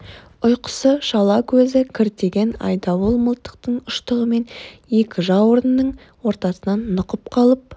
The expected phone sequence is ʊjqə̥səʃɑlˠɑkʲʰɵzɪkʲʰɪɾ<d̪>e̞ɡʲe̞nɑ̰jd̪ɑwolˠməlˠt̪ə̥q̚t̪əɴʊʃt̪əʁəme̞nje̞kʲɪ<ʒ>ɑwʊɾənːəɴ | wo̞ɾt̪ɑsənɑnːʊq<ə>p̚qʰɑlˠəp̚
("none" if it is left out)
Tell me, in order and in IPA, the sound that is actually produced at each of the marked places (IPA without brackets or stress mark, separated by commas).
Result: t̪, ʒ, ə